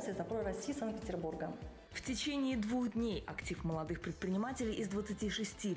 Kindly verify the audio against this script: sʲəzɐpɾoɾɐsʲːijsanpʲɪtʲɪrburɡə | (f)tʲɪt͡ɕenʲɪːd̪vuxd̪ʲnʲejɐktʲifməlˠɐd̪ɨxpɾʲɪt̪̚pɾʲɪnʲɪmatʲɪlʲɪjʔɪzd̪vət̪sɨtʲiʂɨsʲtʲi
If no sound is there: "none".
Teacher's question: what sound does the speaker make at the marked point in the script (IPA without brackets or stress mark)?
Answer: f